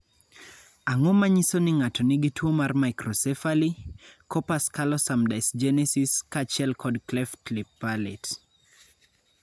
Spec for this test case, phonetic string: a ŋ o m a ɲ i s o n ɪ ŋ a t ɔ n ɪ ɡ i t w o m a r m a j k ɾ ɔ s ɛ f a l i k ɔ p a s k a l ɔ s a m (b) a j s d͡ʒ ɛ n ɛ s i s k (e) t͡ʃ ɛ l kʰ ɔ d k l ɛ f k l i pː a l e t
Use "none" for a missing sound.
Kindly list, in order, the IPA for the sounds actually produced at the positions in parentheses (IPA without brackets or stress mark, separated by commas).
d, a